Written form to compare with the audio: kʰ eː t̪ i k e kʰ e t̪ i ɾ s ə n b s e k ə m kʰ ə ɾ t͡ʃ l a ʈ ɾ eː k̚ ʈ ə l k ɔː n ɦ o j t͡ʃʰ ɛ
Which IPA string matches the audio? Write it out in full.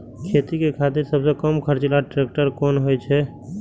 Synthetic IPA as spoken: kʰ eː t̪ i k e kʰ a t̪ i ɾ s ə b s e k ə m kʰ ə ɾ t͡ʃ l a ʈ ɾ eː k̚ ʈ ə ɾ k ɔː n ɦ o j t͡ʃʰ ɛ